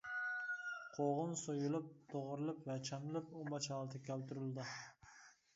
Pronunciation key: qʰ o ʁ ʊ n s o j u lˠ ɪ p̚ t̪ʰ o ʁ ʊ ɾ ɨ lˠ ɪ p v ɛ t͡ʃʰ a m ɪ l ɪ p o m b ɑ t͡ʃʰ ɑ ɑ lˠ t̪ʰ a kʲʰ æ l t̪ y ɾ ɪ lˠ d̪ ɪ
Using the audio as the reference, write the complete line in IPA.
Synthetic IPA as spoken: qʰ o ʁ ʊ n s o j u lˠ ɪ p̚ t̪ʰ o ʁ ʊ ɾ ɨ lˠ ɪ p v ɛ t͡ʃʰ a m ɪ l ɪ p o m b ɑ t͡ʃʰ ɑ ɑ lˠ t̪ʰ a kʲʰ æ l t̪ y ɾ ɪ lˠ d̪ ɪ